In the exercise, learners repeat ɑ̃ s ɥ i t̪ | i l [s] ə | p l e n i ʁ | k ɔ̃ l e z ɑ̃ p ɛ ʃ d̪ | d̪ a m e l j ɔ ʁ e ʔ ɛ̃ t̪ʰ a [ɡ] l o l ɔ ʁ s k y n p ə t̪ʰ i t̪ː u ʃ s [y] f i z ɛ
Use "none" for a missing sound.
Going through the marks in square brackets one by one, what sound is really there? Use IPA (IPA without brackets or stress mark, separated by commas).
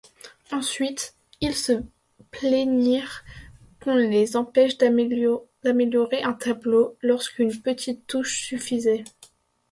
s, b, y